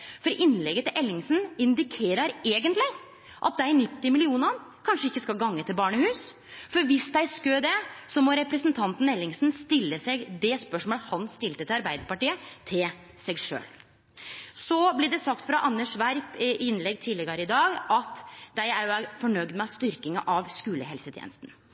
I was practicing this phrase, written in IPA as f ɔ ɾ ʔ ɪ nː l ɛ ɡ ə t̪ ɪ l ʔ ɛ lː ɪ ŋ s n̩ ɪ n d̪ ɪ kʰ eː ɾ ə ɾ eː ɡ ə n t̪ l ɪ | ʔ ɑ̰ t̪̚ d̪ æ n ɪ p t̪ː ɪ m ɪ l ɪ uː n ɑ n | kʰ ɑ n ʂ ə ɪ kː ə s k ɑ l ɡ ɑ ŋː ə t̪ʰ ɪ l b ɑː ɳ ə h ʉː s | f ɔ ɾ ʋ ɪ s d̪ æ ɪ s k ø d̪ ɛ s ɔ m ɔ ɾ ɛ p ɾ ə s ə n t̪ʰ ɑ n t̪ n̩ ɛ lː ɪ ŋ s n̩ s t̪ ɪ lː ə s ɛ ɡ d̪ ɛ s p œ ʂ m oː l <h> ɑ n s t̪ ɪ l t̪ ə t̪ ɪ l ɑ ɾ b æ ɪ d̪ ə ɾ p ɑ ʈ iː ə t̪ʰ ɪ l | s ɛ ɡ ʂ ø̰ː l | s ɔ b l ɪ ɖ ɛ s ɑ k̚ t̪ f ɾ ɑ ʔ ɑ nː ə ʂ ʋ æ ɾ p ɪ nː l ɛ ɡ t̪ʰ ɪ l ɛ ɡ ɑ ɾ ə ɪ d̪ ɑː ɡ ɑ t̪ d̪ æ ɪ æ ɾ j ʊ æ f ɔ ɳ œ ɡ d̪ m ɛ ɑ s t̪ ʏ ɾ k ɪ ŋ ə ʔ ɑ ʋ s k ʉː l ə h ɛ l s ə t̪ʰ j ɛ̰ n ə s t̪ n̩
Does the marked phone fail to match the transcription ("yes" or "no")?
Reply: no